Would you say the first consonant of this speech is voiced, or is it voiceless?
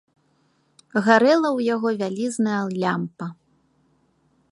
voiced